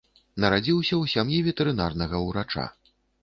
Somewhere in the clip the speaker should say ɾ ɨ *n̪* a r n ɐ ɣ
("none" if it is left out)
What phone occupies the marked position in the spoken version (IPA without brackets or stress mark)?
n̪